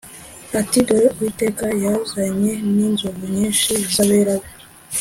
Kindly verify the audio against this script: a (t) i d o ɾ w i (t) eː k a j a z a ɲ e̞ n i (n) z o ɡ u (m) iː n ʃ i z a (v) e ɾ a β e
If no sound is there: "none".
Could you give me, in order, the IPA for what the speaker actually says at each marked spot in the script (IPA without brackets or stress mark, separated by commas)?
t, t, n, ɲ, β